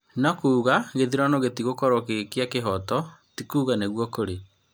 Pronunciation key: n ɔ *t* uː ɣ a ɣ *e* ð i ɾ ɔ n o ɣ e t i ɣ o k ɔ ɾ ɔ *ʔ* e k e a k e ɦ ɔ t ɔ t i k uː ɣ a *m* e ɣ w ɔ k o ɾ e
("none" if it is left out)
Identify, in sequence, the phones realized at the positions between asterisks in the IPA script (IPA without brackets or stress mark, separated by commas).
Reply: k, e, k, n